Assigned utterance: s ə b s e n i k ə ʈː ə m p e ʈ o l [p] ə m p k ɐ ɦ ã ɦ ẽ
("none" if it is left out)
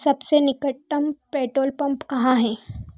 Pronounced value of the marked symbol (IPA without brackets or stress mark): p